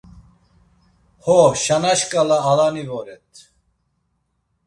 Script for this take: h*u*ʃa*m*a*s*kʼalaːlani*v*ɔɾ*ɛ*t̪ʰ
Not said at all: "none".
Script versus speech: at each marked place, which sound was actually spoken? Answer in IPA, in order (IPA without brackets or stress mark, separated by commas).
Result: ɔ, n, ʃ, v, ɛ